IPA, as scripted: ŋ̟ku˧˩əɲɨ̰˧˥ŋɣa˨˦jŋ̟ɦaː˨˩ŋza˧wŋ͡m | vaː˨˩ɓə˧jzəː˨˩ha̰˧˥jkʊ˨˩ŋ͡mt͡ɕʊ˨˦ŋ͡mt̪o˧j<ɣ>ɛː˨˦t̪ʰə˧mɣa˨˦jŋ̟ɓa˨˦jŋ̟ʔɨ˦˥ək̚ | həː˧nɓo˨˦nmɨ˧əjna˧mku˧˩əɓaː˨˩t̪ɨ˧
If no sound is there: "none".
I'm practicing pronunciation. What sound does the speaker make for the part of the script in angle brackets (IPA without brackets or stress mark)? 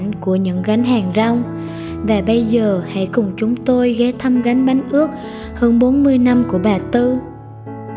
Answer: ɣ